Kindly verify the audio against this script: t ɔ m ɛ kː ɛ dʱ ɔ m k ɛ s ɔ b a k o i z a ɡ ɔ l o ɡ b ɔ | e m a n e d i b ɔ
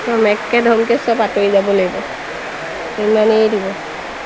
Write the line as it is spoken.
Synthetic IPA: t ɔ m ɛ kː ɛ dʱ ɔ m k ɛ s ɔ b a t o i z a b ɔ l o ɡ b ɔ | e m a n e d i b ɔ